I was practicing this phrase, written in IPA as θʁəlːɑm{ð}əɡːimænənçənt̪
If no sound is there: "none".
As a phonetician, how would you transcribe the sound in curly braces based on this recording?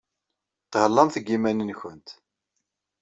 θ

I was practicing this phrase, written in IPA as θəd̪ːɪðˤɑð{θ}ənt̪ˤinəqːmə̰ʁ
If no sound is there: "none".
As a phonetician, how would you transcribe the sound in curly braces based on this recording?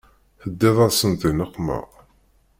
s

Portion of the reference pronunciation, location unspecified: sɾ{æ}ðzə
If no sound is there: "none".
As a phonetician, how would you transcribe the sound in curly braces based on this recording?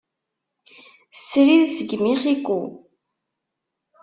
i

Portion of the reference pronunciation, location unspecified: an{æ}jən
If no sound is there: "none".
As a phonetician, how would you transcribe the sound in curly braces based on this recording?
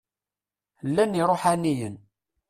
i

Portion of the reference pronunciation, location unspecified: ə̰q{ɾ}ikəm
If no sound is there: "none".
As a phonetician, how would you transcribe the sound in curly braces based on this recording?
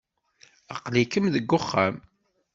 l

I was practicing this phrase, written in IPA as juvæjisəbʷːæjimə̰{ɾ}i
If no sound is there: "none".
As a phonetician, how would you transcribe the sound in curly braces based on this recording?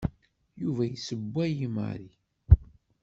ɾ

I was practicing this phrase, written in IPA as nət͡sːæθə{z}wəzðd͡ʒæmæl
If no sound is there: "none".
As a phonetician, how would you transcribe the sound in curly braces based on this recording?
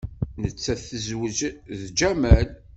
z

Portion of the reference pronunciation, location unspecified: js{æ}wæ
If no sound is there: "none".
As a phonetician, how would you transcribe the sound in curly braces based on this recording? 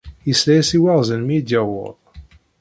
i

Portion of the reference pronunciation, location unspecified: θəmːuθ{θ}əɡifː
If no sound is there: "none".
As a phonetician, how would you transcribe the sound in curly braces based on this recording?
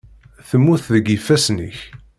ð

